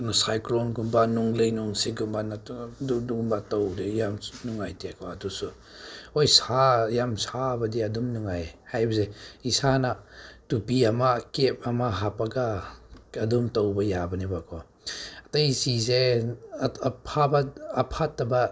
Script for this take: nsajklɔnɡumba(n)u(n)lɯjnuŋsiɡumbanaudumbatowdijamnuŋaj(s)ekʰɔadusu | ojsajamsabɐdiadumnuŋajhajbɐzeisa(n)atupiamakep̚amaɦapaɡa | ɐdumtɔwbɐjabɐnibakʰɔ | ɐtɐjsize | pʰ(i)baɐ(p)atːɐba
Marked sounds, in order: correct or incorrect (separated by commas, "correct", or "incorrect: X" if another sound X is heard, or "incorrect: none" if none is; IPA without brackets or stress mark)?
correct, incorrect: ŋ, incorrect: t, correct, incorrect: a, incorrect: pʰ